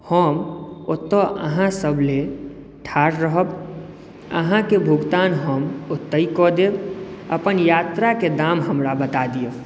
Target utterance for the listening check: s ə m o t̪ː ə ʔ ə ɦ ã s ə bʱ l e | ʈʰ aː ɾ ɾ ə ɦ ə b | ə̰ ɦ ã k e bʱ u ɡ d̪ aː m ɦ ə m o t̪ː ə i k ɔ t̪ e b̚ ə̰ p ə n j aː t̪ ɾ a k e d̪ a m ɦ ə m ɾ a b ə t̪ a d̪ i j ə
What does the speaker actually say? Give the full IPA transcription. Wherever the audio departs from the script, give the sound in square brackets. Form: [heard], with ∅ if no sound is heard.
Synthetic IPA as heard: [h] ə m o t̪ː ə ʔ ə ɦ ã s ə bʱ l e | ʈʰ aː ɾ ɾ ə ɦ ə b | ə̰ ɦ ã k e bʱ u ɡ [t̪] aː [n] ɦ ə m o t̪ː ə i k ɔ [d̪] e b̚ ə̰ p ə n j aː t̪ ɾ a k e d̪ a m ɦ ə m ɾ a b ə t̪ a d̪ i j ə